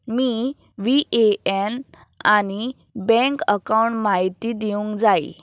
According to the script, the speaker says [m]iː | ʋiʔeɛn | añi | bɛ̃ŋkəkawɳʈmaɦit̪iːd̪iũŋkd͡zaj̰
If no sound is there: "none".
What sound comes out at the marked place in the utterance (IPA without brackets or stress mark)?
m